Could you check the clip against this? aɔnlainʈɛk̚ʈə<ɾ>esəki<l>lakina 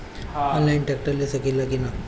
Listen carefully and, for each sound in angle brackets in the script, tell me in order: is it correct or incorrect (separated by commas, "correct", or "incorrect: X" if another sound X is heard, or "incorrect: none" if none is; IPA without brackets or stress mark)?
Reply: incorrect: l, correct